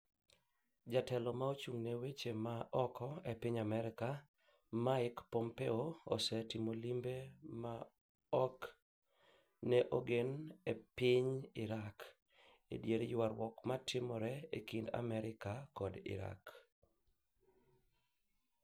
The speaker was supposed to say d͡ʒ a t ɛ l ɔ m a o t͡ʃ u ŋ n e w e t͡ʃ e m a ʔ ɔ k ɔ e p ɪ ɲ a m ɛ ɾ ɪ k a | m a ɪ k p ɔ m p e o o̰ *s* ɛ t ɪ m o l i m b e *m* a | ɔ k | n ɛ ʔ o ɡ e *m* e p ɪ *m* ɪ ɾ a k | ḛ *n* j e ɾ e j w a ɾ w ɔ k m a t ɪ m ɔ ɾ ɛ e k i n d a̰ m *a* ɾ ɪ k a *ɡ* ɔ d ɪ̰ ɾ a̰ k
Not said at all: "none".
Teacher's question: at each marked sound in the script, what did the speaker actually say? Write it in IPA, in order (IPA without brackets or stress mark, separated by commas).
s, m, n, ɲ, d, ɛ, k